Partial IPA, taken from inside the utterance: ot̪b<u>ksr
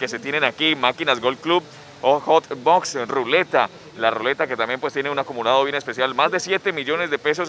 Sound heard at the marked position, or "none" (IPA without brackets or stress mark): o